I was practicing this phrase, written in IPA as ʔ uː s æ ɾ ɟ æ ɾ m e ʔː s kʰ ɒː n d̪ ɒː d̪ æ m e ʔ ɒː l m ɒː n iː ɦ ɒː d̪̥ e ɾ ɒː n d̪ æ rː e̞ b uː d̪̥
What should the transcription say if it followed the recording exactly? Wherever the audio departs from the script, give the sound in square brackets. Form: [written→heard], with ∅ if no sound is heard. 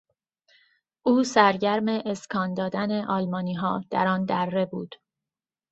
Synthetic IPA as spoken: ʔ uː s æ ɾ ɟ æ ɾ m e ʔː s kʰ ɒː n d̪ ɒː d̪ æ [m→n] e ʔ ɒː l m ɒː n iː ɦ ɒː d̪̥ [e→æ] ɾ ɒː n d̪ æ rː e̞ b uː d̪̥